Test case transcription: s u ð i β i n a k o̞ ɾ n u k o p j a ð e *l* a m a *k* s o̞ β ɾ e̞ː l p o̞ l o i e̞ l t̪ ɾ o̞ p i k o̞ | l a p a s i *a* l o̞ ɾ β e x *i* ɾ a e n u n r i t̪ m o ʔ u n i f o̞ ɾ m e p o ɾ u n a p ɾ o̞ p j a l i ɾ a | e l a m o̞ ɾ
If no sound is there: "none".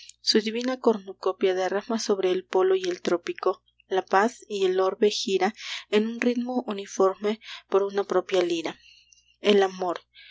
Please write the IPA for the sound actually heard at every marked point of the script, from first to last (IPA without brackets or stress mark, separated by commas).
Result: r, none, e, i